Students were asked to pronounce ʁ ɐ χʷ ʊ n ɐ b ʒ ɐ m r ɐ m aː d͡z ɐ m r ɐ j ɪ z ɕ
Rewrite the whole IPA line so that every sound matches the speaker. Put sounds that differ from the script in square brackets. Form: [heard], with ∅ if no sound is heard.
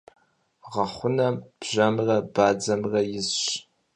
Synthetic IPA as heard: ʁ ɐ χʷ ʊ n ɐ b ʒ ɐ m r ɐ [b] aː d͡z ɐ m r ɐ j ɪ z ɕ